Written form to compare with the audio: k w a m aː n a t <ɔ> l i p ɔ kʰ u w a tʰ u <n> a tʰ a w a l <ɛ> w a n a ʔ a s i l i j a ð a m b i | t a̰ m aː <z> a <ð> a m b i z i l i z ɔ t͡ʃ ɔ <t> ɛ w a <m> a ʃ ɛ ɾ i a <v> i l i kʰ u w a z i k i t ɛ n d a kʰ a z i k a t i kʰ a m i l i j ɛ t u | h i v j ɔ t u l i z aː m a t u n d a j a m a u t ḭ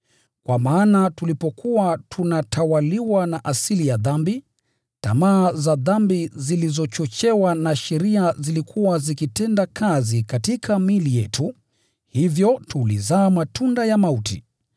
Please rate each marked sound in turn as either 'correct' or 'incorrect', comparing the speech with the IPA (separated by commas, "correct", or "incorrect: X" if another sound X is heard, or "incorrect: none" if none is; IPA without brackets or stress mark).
incorrect: u, correct, incorrect: i, correct, correct, incorrect: t͡ʃ, incorrect: n, incorrect: z